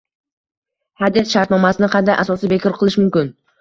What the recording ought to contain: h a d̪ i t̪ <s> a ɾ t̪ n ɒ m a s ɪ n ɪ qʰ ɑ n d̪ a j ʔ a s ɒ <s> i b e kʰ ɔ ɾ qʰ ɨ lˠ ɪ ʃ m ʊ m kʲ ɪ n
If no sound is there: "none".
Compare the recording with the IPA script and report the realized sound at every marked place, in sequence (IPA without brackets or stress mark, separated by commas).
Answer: ʃ, s